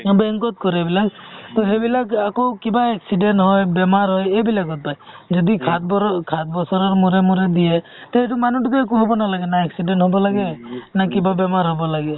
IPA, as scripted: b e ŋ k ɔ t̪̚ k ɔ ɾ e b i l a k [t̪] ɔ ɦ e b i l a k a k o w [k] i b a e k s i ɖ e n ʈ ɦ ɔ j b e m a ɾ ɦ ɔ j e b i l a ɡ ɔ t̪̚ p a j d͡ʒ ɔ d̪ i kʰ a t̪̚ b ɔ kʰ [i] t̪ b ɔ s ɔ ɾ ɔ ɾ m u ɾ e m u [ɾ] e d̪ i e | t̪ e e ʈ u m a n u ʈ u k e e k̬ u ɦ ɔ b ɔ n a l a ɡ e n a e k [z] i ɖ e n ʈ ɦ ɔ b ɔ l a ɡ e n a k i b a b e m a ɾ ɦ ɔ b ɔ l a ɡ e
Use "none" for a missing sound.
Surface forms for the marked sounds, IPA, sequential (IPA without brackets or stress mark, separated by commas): t̪, k, a, ɾ, s